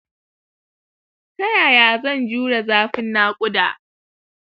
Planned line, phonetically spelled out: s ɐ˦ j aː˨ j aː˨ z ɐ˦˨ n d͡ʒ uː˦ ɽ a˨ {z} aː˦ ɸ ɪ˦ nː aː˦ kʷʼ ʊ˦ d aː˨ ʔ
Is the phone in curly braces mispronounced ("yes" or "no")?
no